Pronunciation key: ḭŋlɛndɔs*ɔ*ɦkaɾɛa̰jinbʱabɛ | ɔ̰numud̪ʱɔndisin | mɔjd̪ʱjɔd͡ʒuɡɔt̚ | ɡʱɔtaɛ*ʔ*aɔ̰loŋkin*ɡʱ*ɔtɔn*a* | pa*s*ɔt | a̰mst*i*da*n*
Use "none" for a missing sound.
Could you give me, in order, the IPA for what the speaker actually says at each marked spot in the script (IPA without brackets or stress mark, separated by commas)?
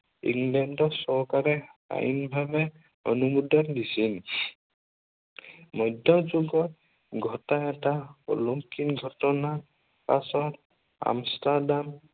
ɔ, t, ɡʱ, a, s, a, m